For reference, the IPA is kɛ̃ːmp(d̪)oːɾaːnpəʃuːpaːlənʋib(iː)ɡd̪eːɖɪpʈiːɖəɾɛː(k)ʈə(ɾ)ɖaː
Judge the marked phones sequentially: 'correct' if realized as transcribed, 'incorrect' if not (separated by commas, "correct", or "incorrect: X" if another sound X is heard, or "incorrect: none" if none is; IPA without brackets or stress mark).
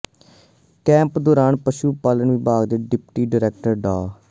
correct, incorrect: aː, correct, correct